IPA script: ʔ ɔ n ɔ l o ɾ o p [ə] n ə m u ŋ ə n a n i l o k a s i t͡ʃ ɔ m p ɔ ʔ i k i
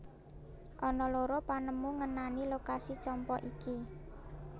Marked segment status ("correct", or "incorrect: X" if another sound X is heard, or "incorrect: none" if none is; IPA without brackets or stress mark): incorrect: a